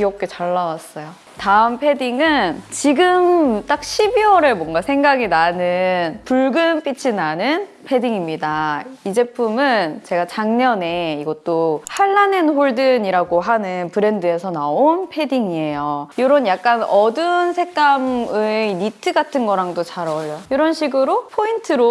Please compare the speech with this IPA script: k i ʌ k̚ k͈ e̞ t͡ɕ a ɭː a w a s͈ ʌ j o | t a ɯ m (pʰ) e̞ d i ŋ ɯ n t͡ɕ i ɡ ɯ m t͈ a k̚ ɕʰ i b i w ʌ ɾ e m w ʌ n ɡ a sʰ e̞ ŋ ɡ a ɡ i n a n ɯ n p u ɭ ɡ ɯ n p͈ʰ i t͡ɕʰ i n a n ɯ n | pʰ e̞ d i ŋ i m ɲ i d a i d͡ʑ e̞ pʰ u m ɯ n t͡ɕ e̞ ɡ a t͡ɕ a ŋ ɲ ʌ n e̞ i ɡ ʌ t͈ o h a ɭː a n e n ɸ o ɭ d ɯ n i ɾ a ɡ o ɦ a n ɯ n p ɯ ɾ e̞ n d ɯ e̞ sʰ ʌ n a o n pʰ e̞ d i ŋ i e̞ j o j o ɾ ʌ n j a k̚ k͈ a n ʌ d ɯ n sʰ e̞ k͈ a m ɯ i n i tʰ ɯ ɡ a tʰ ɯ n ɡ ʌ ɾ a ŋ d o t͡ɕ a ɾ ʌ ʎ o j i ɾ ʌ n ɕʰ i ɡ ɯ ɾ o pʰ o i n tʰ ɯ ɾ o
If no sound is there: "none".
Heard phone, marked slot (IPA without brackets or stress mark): pʰ